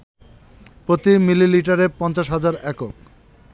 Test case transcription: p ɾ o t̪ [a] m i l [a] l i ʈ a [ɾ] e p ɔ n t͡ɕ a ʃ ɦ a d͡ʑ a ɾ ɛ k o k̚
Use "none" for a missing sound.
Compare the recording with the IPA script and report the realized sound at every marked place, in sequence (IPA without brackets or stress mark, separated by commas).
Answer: i, i, ɾ